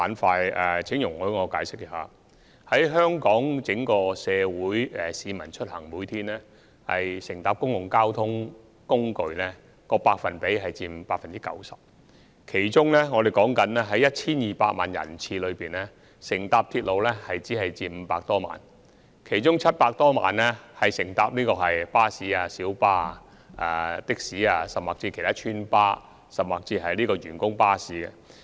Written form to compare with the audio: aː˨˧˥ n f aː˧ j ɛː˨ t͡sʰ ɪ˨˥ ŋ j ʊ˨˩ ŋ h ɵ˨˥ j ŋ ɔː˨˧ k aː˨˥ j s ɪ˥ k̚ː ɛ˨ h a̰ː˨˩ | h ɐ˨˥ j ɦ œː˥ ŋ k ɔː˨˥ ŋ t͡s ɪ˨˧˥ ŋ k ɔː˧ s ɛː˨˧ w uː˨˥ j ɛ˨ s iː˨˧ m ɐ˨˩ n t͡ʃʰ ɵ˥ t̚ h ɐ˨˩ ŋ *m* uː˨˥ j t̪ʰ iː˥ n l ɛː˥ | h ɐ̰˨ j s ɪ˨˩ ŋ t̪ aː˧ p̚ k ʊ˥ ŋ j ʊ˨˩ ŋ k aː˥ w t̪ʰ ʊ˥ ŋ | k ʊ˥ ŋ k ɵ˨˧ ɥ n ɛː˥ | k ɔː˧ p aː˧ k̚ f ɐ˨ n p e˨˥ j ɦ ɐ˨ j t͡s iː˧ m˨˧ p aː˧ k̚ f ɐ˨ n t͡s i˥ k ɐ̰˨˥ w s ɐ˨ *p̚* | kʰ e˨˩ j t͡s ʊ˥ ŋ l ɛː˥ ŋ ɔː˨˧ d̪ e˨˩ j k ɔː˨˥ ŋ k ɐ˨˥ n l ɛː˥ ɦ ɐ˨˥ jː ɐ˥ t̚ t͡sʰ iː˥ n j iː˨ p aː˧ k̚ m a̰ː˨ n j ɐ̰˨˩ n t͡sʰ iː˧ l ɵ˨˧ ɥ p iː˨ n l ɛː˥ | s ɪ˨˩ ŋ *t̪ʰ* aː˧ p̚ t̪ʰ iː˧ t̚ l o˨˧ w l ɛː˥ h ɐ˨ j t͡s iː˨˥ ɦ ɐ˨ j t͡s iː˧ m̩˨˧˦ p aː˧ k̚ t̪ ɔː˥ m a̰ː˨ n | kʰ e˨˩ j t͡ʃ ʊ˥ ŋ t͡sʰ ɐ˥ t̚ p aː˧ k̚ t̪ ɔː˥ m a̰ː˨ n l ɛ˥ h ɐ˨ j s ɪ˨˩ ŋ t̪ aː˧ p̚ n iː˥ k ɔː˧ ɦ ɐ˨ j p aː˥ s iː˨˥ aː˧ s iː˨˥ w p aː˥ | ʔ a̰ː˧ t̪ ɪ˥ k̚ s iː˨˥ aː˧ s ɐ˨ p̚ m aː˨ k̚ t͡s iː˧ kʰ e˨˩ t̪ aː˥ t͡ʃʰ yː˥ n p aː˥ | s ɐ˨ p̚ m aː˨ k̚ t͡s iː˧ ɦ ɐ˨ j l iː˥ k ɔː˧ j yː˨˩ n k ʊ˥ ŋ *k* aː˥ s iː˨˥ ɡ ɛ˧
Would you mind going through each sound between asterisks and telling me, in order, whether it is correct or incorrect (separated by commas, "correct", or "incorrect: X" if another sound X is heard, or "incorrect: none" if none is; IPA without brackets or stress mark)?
correct, correct, incorrect: t̪, incorrect: p